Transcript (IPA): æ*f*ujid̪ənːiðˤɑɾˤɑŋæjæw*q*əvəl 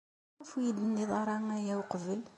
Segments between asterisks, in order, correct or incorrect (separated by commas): correct, correct